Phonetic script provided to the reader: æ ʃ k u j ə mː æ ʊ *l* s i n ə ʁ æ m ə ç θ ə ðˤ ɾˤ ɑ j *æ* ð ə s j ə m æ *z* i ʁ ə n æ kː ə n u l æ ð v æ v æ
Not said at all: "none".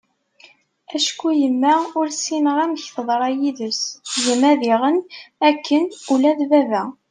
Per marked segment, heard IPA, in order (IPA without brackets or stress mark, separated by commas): ɾ, i, ð